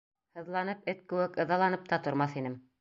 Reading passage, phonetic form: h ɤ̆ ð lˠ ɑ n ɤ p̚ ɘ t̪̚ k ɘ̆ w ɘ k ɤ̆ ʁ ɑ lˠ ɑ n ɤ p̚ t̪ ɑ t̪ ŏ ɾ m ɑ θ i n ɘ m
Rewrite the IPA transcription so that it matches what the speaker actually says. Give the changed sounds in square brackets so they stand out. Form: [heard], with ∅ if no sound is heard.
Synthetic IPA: h ɤ̆ ð lˠ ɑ n ɤ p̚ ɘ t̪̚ k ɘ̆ w ɘ k ɤ̆ [ð] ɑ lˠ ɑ n ɤ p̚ t̪ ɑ t̪ ŏ ɾ m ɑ θ i n ɘ m